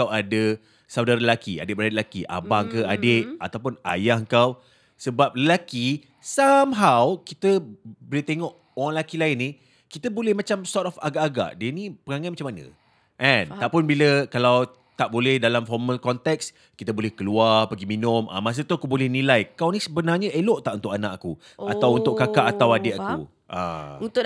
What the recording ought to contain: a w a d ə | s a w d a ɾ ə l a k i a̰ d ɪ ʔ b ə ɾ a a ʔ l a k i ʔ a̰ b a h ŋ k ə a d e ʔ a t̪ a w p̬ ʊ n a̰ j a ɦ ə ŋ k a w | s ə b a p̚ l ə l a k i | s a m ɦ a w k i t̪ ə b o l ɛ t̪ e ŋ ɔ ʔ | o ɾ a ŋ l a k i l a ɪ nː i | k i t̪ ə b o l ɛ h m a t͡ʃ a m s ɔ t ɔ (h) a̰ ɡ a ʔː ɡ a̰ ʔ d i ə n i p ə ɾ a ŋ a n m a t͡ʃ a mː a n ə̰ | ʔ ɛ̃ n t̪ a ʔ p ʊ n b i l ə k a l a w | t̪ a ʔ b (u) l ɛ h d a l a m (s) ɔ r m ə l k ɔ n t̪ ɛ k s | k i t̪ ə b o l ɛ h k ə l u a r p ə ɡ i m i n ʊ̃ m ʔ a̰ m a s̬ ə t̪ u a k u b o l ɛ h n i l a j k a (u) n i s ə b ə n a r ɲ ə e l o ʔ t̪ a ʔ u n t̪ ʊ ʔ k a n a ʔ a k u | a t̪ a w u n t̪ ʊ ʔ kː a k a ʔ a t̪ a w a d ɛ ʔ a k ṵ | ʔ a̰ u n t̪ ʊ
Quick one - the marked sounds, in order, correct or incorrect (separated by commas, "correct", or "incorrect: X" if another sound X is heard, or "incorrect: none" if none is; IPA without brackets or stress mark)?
incorrect: f, incorrect: o, incorrect: f, incorrect: w